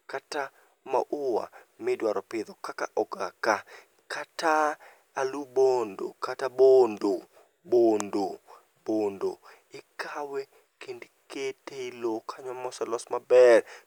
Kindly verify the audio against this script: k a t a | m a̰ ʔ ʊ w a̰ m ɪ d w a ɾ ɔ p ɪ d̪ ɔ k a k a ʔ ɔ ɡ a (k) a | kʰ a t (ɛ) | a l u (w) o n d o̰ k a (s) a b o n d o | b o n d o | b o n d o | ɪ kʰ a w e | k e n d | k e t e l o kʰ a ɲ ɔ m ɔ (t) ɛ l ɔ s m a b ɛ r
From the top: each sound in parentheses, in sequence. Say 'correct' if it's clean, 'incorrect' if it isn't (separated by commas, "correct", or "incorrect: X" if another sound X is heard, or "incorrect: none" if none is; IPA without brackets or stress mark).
correct, incorrect: a, incorrect: b, incorrect: t, incorrect: s